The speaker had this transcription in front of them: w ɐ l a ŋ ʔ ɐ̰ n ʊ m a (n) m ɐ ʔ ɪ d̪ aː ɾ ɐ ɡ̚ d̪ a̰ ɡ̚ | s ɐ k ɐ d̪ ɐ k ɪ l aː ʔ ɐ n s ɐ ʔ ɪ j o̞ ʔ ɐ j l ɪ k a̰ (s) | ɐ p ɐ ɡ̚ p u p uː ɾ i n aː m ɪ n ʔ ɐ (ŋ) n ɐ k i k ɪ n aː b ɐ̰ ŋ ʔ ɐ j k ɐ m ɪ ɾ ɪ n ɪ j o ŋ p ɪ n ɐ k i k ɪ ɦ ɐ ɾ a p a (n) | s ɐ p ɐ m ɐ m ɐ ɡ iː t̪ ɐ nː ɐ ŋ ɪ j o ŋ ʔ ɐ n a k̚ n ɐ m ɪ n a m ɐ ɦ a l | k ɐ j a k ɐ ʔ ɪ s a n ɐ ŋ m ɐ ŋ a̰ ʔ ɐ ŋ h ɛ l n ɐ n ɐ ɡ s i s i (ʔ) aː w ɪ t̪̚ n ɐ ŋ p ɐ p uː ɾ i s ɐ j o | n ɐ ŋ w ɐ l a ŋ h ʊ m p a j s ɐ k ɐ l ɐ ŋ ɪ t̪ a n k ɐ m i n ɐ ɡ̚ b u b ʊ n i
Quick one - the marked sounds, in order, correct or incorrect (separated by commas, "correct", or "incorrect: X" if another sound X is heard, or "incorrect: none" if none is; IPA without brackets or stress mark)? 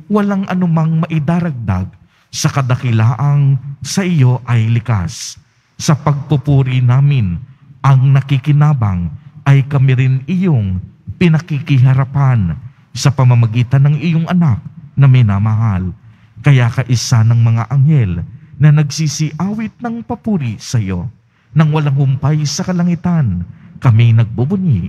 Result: incorrect: ŋ, incorrect: sː, correct, correct, correct